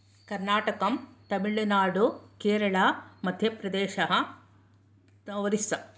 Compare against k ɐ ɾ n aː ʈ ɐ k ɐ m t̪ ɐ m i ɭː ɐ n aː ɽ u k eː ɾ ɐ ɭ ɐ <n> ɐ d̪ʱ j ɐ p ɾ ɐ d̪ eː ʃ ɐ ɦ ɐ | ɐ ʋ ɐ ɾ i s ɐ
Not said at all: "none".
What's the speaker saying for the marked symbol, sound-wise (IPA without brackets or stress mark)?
m